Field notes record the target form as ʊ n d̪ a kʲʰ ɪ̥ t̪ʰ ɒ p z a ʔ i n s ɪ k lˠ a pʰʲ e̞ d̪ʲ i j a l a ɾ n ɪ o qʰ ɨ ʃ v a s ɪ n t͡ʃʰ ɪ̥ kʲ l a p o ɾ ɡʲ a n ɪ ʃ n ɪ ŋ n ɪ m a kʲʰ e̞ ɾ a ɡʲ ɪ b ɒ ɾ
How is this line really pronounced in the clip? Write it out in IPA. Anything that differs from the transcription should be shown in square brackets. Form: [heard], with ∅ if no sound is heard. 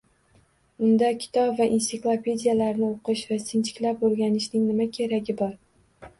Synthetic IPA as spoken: ʊ n d̪ a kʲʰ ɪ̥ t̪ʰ ɒ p [v] a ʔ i n s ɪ k lˠ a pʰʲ e̞ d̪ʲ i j a l a ɾ n ɪ o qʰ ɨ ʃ v a s ɪ n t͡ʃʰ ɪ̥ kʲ l a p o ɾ ɡʲ a n ɪ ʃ n ɪ ŋ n ɪ m a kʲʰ e̞ ɾ a ɡʲ ɪ b ɒ ɾ